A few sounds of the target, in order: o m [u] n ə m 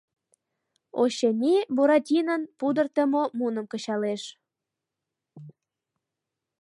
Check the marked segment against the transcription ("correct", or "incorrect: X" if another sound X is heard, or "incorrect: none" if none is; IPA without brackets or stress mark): correct